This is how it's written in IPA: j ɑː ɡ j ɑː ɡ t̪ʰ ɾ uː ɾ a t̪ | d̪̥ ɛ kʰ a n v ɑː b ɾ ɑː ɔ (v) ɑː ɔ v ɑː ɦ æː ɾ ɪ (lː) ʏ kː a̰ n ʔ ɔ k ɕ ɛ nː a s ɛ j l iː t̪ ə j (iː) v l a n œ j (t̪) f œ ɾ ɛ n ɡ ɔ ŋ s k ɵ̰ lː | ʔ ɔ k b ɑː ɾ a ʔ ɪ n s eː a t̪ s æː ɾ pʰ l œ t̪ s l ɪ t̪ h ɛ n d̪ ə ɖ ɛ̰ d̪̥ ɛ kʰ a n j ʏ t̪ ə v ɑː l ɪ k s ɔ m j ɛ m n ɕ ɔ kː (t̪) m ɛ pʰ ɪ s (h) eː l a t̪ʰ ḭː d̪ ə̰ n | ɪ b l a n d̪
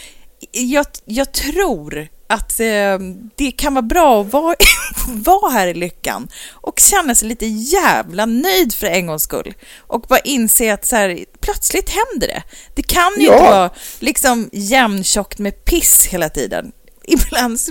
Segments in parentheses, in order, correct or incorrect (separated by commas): correct, incorrect, incorrect, incorrect, correct, correct